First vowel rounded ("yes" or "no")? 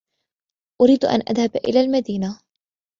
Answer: yes